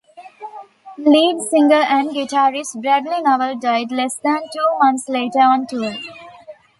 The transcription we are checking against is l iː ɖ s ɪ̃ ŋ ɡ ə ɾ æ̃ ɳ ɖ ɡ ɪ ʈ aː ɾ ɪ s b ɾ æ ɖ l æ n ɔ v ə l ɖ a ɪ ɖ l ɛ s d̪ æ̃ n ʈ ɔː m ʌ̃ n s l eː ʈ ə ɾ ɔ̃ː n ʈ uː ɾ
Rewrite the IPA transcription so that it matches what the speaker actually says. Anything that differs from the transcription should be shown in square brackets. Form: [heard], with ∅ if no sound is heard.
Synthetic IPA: l iː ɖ s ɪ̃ ŋ ɡ ə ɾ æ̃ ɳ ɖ ɡ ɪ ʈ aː ɾ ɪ s b ɾ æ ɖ l [i] n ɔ [ʋ] ə l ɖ a ɪ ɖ l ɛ s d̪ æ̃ n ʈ [uː] m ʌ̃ n s l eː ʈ ə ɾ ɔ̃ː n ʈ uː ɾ